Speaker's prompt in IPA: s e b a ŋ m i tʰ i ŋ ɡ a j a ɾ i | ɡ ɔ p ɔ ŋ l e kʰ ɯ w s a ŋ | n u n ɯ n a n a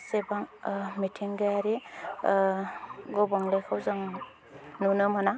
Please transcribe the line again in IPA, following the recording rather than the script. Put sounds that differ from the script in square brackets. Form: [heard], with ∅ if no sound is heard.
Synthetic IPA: s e b a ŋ m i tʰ i ŋ ɡ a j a ɾ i | ɡ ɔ [b] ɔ ŋ l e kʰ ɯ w [z] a ŋ | n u n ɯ [m] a n a